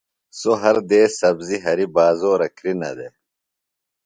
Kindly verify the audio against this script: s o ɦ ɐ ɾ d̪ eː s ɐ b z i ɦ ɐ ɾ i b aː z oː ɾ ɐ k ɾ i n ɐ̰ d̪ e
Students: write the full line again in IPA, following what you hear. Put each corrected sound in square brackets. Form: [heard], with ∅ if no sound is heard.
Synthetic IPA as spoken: s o ɦ ɐ ɾ d̪ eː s ɐ b z i ɦ ɐ ɾ i b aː z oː ɾ ɐ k ɾ i n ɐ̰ d̪ e